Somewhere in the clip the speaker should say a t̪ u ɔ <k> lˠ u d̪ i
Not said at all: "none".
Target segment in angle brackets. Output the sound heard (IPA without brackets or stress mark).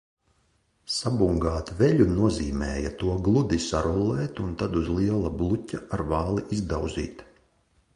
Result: ɡ